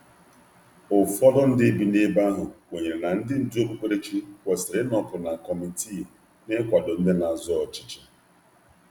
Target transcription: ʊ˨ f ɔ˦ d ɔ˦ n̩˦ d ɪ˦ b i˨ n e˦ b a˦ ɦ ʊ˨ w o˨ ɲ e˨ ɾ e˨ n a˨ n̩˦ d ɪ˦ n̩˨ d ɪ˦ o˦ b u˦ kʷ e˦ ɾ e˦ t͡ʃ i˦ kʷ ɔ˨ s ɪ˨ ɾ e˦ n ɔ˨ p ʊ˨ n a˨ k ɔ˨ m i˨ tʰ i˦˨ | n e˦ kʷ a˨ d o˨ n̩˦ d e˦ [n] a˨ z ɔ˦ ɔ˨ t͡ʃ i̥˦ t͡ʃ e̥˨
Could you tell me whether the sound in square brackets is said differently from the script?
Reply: no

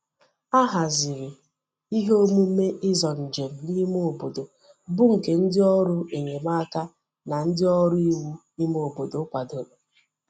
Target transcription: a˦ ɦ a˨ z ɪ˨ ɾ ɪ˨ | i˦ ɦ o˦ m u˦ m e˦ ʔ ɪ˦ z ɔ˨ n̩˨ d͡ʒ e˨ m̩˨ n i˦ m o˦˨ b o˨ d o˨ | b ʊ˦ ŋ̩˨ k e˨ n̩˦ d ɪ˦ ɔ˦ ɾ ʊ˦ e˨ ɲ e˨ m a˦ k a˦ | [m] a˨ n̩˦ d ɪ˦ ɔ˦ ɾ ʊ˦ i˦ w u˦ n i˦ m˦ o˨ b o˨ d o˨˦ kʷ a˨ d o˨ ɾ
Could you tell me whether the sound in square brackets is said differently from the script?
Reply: yes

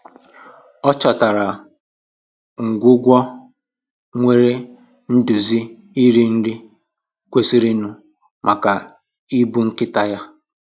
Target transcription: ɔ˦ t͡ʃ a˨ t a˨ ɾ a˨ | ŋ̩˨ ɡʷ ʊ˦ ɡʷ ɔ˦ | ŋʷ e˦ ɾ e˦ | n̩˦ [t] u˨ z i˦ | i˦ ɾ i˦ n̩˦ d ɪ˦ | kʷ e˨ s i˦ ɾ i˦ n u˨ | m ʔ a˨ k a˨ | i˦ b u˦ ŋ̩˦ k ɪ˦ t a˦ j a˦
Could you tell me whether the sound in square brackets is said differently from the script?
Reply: yes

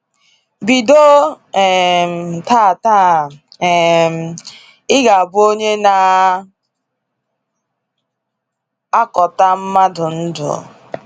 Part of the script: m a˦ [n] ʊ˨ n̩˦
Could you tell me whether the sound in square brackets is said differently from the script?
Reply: yes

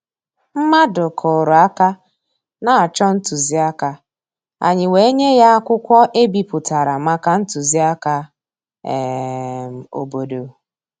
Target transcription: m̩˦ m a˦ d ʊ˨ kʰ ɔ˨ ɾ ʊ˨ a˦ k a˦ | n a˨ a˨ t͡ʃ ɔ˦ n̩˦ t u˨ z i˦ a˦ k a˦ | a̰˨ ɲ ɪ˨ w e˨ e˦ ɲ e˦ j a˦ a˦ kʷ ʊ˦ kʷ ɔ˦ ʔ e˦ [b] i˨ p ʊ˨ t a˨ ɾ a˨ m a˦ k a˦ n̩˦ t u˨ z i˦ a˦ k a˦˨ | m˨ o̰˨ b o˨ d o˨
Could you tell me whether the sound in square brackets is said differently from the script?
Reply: no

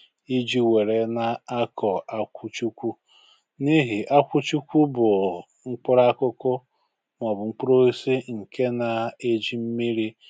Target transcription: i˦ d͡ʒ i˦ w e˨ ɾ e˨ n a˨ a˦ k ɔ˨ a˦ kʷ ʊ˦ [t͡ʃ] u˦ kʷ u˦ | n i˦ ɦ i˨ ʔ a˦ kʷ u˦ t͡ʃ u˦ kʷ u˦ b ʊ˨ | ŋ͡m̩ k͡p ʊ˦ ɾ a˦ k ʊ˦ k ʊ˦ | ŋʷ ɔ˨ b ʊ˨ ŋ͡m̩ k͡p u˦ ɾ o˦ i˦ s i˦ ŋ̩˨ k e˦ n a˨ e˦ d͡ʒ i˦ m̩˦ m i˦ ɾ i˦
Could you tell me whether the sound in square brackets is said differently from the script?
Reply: no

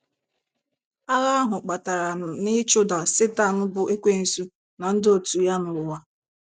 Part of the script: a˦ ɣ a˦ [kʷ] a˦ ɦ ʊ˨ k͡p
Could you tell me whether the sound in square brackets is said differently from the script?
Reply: yes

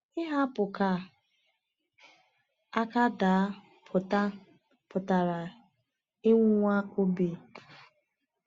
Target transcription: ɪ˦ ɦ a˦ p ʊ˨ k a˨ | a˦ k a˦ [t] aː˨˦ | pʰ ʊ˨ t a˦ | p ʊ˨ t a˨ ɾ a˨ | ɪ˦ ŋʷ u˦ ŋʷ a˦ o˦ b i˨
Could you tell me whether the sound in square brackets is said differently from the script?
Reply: yes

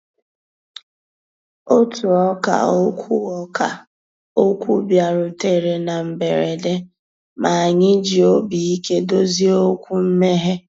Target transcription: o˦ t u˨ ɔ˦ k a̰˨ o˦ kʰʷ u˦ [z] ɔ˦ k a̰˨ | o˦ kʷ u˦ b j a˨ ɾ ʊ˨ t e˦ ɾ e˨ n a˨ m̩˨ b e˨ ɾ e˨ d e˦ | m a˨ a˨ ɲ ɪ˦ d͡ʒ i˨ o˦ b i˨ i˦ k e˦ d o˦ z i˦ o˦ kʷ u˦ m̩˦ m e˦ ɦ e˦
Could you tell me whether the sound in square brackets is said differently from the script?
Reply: yes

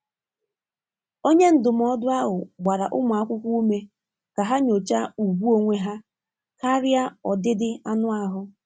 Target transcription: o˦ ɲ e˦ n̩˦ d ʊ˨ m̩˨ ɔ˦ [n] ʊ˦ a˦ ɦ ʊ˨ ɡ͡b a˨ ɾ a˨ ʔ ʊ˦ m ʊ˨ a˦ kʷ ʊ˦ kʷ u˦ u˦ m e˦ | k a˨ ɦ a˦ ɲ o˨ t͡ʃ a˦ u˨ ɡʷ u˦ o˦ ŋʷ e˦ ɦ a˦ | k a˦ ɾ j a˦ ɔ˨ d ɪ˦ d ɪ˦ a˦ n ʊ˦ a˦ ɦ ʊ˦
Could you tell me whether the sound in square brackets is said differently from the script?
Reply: yes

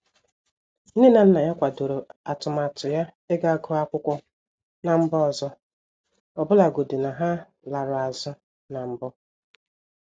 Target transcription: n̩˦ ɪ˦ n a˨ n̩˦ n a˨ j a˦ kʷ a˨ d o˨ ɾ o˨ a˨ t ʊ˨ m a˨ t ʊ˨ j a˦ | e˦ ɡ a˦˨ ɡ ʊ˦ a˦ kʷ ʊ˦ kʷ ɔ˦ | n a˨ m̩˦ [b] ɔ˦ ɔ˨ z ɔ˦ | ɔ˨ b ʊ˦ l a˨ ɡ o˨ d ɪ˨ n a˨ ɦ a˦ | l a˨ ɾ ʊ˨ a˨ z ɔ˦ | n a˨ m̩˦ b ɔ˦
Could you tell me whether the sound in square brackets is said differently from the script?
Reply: no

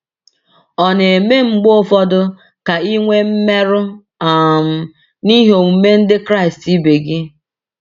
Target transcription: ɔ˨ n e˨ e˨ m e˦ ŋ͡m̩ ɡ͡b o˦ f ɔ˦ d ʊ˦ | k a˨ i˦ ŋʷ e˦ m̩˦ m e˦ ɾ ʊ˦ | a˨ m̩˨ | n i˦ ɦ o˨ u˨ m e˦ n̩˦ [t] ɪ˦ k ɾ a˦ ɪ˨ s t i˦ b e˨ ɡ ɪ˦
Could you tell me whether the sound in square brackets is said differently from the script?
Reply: yes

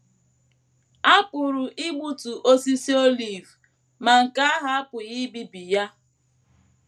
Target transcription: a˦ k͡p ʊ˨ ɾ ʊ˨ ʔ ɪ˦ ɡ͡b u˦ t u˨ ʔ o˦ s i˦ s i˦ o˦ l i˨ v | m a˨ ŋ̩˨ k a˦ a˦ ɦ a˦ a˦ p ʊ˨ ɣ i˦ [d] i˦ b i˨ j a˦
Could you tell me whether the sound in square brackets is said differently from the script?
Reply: yes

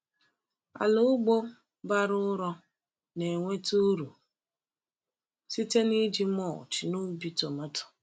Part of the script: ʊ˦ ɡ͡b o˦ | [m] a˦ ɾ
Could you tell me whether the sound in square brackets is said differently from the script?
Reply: yes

